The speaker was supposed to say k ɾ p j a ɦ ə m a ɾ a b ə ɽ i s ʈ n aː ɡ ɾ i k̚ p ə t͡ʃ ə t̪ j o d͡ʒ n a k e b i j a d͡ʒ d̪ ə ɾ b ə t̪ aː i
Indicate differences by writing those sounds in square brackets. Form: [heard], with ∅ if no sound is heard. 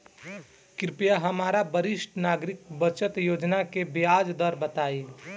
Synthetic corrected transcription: k ɾ p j a ɦ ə m a ɾ a b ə [ɾ] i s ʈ n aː ɡ ɾ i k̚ [b] ə t͡ʃ ə t̪ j o d͡ʒ n a k e b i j a d͡ʒ d̪ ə ɾ b ə t̪ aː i